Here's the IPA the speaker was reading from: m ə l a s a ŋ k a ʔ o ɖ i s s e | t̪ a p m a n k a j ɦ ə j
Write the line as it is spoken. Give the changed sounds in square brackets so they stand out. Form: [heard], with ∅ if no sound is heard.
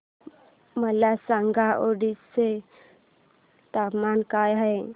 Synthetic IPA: m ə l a s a ŋ [ɡ] a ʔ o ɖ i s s e | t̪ a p m a n k a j ɦ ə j